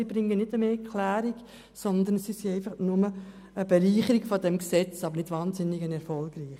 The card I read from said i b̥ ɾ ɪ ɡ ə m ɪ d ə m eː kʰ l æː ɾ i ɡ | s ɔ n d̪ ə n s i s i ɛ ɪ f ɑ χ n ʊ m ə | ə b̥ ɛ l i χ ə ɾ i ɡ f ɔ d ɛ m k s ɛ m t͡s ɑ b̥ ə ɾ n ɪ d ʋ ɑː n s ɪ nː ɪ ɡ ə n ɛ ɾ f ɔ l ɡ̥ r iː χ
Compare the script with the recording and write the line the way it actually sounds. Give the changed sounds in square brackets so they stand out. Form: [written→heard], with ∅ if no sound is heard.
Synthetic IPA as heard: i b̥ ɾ ɪ [ɡ→ŋ] ə [m→n] ɪ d ə m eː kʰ l æː ɾ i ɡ | s ɔ n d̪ ə n s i s i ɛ ɪ f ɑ χ n ʊ m ə | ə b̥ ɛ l [i→iː] χ ə ɾ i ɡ f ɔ d ɛ m k s ɛ [m→∅] t͡s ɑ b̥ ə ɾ n ɪ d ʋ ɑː n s ɪ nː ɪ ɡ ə n ɛ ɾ f ɔ l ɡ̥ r iː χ